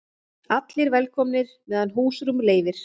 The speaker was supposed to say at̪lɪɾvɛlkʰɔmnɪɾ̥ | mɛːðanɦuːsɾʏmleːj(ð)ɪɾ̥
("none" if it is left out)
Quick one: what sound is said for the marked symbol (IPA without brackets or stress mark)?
v